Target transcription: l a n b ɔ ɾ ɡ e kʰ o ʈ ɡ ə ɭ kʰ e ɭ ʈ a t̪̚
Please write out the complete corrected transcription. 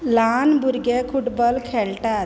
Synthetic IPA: l a n b u ɾ ɡ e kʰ u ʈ b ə l kʰ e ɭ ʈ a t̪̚